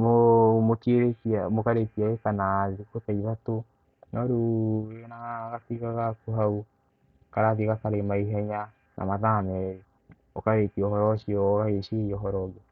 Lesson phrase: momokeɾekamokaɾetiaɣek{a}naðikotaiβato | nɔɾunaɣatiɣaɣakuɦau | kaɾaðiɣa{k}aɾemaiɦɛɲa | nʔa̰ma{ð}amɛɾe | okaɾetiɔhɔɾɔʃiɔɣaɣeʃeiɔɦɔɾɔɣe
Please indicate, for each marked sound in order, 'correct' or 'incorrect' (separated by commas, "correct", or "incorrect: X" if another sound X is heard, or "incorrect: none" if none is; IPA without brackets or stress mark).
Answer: correct, correct, correct